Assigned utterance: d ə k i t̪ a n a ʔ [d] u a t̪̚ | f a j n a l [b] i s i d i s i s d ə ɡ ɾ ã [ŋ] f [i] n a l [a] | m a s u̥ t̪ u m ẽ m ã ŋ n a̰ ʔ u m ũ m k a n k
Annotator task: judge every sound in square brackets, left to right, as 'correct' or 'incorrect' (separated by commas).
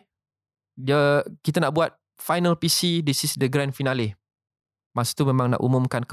incorrect, incorrect, incorrect, correct, incorrect